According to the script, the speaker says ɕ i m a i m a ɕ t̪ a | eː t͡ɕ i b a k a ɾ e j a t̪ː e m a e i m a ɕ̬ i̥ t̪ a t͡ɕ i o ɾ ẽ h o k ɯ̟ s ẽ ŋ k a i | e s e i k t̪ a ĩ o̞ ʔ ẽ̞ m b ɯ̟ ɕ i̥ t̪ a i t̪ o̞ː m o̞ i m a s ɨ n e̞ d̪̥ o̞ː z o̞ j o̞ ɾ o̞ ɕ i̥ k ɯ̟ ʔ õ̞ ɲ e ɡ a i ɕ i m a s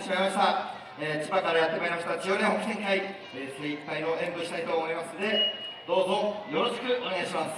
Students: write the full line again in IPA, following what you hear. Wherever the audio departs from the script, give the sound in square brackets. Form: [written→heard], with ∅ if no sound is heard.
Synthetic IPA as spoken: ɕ i m a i m a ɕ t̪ a | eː t͡ɕ i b a k a ɾ [e→a] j a t̪ː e m a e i m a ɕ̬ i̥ t̪ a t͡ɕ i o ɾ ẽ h o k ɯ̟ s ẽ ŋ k a i | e s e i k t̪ a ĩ o̞ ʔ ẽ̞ m b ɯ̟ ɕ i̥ t̪ a i t̪ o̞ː m o̞ i m a s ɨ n e̞ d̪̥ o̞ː z o̞ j o̞ ɾ o̞ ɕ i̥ k ɯ̟ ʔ [õ̞→o̞] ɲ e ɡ a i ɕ i m a s